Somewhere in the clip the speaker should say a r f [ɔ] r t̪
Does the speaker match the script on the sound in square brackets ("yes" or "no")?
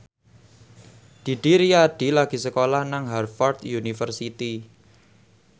yes